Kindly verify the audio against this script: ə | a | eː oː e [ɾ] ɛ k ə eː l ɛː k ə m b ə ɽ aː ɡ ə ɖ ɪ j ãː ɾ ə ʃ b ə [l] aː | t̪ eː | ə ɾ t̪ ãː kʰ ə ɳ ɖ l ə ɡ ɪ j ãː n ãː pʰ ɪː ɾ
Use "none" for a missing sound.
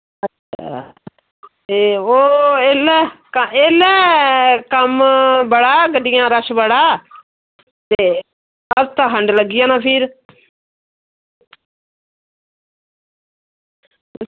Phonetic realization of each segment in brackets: l, ɽ

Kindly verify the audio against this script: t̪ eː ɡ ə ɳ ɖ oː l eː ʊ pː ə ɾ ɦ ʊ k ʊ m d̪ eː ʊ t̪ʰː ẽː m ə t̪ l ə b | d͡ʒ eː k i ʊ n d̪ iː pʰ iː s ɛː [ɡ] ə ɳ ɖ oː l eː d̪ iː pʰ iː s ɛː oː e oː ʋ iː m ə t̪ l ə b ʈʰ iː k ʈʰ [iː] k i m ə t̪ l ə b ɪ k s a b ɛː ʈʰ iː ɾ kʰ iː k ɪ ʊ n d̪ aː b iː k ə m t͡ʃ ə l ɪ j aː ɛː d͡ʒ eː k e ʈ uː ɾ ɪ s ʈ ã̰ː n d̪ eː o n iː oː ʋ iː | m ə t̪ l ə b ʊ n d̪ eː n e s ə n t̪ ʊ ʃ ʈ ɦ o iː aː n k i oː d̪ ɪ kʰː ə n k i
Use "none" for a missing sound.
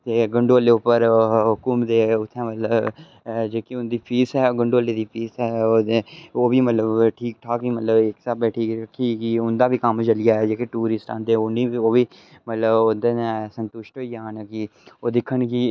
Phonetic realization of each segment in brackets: ɡ, aː

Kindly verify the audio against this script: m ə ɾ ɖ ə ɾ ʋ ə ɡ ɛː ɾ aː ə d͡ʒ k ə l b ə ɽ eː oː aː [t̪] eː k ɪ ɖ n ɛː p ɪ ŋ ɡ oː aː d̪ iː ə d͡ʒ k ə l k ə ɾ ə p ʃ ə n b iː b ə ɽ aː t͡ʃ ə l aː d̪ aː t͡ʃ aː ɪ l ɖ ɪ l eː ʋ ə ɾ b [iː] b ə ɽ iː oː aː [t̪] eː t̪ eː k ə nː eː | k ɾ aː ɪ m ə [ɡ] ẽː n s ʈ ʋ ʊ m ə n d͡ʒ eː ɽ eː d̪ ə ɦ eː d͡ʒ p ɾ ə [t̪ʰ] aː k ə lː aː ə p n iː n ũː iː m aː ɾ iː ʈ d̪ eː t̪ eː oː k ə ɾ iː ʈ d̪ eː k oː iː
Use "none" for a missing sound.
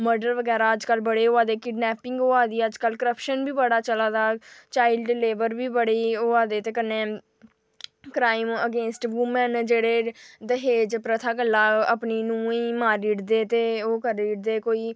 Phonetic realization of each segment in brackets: d̪, iː, d̪, ɡ, t̪ʰ

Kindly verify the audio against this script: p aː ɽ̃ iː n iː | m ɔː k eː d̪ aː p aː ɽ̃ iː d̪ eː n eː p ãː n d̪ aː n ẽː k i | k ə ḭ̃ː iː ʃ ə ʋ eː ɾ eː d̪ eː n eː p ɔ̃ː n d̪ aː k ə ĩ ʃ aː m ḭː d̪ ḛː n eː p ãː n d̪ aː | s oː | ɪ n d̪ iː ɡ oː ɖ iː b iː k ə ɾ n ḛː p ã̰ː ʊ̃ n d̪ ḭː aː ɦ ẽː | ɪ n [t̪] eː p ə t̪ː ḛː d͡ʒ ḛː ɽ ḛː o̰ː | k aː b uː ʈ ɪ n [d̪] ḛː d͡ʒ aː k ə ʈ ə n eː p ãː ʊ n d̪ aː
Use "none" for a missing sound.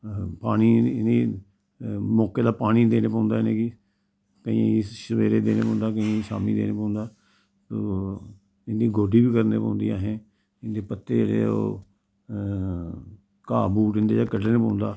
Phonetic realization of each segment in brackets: d̪, d̪

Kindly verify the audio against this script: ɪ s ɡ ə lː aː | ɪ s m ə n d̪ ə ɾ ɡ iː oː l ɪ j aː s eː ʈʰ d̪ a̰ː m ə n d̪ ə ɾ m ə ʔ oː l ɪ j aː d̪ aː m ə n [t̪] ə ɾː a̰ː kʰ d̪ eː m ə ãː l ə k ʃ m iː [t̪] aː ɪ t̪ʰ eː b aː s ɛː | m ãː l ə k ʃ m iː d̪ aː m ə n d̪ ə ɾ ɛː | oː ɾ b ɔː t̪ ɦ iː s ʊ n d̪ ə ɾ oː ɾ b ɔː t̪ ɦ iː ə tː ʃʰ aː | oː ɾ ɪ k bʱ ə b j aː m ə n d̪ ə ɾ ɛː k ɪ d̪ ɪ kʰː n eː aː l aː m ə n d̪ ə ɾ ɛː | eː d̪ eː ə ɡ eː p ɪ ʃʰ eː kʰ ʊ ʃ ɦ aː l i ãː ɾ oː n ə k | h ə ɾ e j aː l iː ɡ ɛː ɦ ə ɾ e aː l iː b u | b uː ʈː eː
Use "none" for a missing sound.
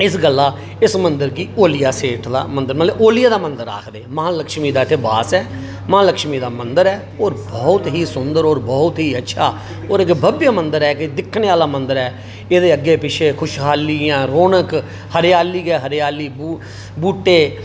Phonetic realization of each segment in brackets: d̪, d̪

